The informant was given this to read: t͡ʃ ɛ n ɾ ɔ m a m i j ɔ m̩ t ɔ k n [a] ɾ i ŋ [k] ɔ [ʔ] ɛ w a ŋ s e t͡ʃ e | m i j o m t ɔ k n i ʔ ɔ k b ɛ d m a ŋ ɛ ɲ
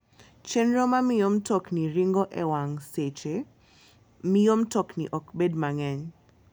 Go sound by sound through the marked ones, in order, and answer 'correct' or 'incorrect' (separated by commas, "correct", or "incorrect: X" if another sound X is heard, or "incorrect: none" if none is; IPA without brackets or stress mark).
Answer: incorrect: i, incorrect: ɡ, correct